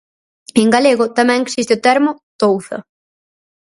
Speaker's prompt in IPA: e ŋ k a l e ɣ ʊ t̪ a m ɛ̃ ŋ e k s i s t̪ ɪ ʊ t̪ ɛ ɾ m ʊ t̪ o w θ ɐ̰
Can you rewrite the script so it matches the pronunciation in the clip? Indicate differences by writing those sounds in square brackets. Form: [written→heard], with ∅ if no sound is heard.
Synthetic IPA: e ŋ [k→ɡ] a l e ɣ ʊ t̪ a m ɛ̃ ŋ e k s i s t̪ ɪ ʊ t̪ ɛ ɾ m ʊ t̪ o w θ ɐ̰